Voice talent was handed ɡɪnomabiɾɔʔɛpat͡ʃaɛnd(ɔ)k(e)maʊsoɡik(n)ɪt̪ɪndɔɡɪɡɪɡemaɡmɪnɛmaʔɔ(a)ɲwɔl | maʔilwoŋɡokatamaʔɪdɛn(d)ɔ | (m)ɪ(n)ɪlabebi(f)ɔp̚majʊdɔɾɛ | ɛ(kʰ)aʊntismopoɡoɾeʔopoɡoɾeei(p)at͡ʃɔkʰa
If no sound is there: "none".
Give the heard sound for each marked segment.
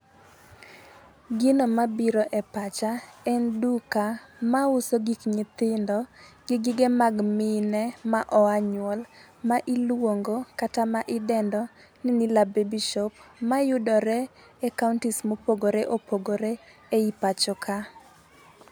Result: u, a, ɲ, a, d, n, n, ʃ, k, p

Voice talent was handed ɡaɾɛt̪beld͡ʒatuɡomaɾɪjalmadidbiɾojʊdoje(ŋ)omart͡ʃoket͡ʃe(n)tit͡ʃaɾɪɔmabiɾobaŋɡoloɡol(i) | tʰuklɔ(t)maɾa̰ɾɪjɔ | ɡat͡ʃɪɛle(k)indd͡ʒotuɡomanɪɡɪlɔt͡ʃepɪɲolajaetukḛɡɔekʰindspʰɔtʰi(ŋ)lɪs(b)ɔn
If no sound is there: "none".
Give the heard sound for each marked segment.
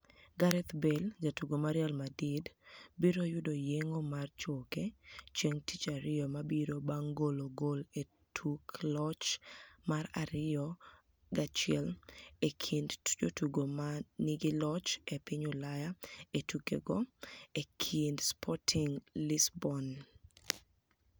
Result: ŋ, ŋ, e, t͡ʃ, kʰ, ŋ, b

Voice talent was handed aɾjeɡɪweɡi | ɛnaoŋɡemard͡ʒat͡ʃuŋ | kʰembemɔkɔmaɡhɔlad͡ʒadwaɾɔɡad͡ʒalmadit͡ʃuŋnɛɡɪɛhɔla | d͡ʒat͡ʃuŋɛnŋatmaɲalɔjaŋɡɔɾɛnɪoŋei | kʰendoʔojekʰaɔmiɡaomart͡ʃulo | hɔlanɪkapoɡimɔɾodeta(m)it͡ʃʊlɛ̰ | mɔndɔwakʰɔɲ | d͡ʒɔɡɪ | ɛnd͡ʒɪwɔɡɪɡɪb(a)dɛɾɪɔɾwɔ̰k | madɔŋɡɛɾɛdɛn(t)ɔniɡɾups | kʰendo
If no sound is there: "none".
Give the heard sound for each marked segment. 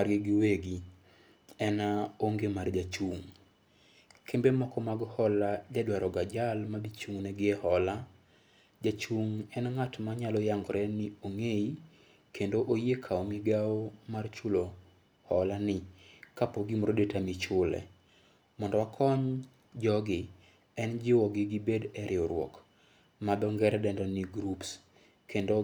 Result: m, e, d

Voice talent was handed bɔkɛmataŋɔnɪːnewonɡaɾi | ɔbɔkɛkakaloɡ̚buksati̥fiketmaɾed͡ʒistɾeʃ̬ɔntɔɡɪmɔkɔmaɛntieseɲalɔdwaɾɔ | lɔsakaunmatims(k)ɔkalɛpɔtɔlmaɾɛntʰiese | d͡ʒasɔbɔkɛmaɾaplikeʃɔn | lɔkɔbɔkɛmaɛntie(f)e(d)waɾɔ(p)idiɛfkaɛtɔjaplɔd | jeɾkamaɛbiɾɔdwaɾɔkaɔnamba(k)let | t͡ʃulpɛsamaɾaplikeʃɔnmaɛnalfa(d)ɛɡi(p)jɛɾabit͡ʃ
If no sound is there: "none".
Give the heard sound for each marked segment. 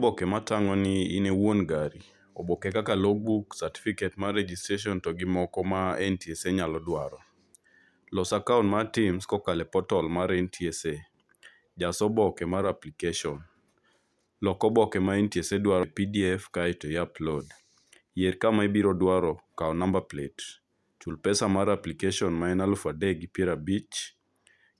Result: k, s, d, p, p, d, p

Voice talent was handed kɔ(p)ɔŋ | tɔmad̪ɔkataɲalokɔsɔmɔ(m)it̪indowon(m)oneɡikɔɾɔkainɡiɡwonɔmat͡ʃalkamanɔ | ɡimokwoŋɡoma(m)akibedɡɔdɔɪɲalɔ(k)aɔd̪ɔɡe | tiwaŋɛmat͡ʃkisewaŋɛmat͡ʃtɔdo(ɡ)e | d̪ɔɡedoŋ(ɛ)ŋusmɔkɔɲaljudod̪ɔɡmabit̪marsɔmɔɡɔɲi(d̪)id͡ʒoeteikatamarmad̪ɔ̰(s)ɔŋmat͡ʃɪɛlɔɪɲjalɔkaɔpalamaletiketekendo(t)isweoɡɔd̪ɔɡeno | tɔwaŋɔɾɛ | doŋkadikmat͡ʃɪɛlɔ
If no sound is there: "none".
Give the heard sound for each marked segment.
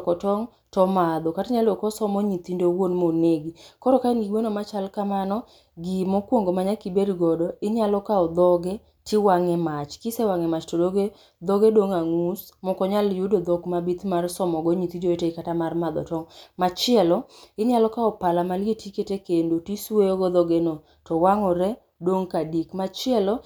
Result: t, ɲ, m, ɲ, k, ɡ, a, t̪, t, t

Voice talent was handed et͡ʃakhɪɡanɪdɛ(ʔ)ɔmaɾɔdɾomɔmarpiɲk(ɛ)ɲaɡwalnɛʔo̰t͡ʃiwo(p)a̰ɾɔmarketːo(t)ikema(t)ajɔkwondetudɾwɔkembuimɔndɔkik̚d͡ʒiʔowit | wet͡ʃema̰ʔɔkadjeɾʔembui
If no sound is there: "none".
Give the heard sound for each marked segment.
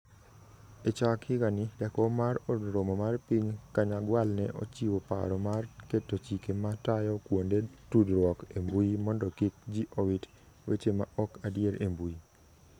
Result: k, a, p, t͡ʃ, t

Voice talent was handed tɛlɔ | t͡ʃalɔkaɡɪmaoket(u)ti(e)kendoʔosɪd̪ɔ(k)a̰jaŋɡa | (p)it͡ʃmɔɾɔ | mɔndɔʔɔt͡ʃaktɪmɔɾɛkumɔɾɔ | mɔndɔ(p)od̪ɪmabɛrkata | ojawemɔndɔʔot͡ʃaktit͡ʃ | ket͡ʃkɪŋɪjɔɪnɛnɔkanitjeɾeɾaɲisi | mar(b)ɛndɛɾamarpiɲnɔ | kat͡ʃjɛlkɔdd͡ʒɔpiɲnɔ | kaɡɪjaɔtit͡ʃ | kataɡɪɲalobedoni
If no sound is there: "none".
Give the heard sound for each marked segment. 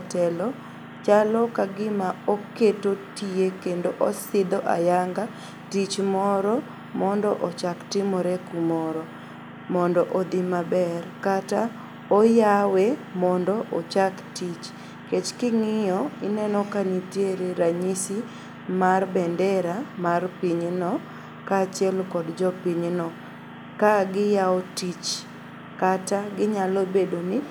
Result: o, e, ʔ, t, ʔ, b

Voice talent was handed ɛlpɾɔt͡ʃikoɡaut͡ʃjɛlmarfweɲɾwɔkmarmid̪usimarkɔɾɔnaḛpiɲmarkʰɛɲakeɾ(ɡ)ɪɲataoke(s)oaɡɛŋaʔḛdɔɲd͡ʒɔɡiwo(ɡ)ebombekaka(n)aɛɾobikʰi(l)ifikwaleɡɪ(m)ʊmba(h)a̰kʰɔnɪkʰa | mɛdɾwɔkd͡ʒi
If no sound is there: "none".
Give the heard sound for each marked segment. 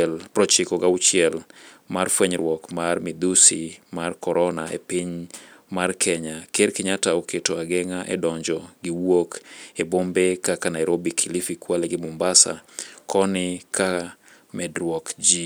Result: k, t, k, n, l, m, s

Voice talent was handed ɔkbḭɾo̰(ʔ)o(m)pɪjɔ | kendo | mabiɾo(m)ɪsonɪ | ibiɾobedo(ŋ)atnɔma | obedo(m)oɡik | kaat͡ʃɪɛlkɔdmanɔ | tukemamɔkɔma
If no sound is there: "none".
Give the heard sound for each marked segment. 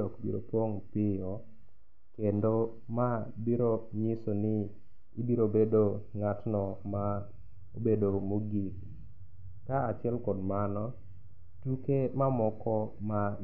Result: p, ŋ, ɲ, ŋ, m

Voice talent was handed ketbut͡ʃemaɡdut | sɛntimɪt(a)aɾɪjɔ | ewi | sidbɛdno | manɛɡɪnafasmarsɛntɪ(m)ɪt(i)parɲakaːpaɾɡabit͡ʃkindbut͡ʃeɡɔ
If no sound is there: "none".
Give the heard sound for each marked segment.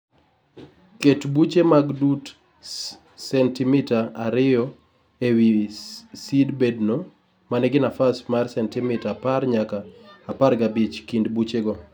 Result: a, m, a

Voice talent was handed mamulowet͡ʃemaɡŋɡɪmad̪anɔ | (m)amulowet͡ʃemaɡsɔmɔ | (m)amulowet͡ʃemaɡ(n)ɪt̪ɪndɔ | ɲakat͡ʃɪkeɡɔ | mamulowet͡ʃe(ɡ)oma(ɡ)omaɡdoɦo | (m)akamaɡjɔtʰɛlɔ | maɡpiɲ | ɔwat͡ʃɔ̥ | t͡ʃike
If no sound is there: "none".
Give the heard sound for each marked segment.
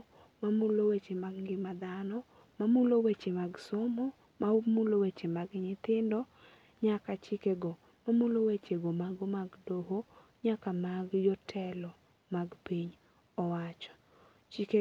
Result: m, m, ɲ, ɡ, ɡ, ɲ

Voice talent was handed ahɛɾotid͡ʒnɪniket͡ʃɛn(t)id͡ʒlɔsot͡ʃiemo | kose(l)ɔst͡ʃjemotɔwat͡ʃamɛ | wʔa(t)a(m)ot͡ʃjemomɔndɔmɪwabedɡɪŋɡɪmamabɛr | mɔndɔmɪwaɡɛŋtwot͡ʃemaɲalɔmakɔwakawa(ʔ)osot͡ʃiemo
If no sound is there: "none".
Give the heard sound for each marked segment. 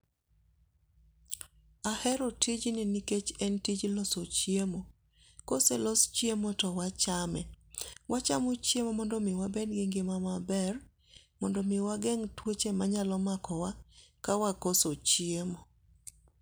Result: t, l, t͡ʃ, m, k

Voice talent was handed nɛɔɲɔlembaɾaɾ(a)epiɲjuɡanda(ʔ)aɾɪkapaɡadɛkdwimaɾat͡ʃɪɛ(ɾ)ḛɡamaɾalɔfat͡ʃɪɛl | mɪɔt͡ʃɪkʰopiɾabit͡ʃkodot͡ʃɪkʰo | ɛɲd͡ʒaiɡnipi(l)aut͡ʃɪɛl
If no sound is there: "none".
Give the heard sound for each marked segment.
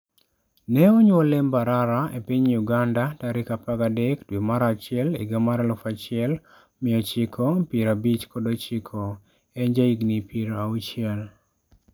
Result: a, t, l, ɾ

